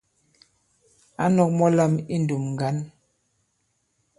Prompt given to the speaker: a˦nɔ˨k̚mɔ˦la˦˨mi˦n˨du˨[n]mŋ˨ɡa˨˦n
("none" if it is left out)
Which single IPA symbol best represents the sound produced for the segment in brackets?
none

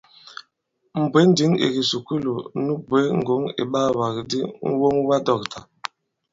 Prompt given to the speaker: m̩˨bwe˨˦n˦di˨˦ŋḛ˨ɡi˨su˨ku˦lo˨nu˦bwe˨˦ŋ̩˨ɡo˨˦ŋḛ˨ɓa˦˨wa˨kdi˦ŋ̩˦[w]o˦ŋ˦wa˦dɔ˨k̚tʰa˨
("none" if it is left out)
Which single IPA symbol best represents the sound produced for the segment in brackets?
w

